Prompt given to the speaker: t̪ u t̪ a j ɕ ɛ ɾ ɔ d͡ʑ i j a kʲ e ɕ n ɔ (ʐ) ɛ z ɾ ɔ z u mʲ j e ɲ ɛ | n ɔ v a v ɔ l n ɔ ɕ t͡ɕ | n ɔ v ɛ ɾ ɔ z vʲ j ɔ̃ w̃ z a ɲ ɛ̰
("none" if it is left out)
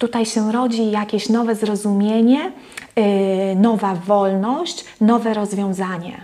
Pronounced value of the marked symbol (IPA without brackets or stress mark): v